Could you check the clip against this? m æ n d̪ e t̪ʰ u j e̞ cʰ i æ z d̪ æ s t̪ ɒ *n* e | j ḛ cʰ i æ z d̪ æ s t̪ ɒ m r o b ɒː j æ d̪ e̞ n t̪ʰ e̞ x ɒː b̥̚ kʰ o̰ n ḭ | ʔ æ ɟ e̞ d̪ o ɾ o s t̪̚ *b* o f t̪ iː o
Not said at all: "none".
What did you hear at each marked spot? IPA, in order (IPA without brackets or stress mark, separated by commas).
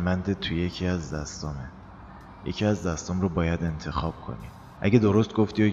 m, ɡ